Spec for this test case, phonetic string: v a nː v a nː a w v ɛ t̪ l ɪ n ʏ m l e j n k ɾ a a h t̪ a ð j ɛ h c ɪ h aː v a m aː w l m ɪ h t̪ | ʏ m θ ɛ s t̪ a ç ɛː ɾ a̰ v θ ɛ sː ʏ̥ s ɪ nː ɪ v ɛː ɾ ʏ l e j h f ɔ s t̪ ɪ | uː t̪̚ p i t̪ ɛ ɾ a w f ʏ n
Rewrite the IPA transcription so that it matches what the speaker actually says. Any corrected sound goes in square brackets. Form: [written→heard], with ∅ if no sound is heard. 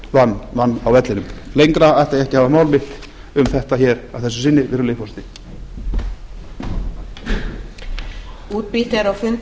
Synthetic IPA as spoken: v a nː v a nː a w v ɛ t̪ l ɪ n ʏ m l e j [n→ŋ] k ɾ a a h t̪ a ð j ɛ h c ɪ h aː v a m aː w l m ɪ h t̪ | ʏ m θ ɛ [s→h] t̪ a ç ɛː ɾ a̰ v θ ɛ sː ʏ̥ s ɪ nː ɪ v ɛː ɾ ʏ l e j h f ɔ s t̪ ɪ | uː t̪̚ p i t̪ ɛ ɾ a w f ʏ n